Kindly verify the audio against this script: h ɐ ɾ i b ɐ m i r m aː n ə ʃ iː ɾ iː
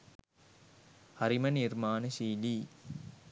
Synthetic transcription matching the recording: h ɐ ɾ i m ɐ n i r m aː n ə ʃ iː l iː

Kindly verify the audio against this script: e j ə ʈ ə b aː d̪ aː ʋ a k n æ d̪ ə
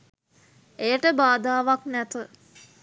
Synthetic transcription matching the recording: e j ə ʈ ə b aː d̪ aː ʋ a k n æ t̪ ə

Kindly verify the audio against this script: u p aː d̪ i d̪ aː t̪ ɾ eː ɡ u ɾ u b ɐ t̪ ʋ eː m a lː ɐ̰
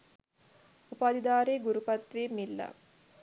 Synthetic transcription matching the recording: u p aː d̪ i d̪ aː ɾ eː ɡ u ɾ u p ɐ t̪ ʋ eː m i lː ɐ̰

